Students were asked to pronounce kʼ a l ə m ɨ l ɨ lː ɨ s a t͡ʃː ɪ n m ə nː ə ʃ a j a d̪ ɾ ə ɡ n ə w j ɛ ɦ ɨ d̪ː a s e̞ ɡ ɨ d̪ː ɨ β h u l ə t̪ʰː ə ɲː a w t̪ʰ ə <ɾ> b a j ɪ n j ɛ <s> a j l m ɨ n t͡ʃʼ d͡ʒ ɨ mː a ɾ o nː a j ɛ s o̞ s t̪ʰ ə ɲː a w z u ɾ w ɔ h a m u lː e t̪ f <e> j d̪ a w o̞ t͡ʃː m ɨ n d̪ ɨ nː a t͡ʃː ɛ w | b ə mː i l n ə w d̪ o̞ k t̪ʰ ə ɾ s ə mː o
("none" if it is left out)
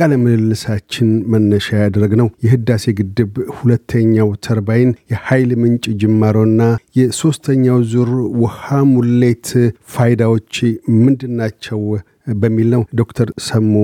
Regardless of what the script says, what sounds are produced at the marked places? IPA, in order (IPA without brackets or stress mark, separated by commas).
ɾ, h, a